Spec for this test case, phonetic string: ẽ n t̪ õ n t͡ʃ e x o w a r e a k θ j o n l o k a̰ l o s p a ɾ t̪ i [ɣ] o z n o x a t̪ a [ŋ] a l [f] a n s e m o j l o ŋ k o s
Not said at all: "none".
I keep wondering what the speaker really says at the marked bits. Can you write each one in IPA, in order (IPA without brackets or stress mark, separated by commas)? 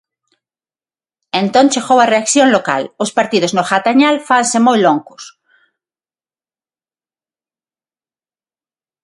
ð, ɲ, f